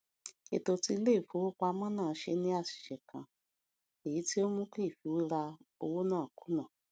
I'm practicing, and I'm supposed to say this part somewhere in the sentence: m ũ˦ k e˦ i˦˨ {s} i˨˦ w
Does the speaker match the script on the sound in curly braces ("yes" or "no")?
no